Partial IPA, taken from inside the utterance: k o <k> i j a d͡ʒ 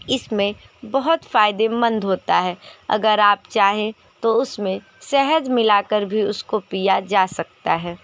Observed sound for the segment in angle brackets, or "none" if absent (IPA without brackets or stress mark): p